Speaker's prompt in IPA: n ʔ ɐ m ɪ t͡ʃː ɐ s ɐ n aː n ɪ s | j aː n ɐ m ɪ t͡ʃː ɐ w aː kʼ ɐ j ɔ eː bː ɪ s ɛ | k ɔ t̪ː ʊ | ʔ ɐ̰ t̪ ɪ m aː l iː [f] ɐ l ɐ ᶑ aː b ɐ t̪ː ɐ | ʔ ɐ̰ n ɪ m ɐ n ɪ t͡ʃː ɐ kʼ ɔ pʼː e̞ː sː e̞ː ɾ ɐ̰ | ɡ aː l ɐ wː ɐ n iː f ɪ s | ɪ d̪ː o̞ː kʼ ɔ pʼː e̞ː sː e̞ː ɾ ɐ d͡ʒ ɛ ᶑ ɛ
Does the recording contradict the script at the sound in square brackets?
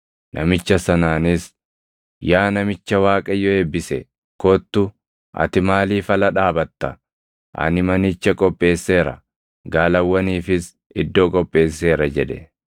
no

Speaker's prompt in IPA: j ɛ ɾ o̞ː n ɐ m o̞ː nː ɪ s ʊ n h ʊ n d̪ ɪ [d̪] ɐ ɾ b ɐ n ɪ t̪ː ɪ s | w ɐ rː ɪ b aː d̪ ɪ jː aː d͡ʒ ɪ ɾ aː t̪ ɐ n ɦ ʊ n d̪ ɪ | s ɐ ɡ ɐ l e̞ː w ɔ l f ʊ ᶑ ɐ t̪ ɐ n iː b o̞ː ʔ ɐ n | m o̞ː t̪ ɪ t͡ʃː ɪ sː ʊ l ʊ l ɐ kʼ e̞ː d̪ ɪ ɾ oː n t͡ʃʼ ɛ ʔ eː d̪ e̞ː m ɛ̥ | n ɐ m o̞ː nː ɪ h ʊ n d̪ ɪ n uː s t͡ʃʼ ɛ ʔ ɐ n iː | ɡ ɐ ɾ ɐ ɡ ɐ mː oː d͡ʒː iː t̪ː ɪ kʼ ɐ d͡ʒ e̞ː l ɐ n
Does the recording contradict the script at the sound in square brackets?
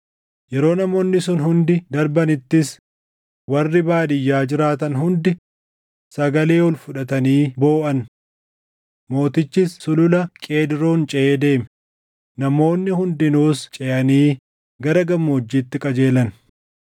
no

